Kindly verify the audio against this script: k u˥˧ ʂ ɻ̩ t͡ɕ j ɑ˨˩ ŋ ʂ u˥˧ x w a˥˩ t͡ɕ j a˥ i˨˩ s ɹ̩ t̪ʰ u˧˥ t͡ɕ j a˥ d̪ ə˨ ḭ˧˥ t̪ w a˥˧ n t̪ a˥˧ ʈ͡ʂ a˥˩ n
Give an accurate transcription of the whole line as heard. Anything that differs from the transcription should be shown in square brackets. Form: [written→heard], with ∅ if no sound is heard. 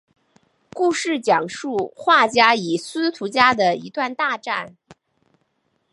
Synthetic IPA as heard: k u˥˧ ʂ ɻ̩ t͡ɕ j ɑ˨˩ ŋ ʂ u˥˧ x w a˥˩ t͡ɕ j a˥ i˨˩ s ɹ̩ t̪ʰ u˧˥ t͡ɕ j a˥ d̪ ə˨ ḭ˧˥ t̪ w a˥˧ n t̪ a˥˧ ʈ͡ʂ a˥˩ n